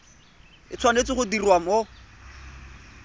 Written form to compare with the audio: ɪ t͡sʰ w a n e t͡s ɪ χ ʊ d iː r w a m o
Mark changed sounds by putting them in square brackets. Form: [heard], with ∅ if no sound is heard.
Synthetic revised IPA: ɪ t͡sʰ w a n e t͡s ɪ χ ʊ d [i] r w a m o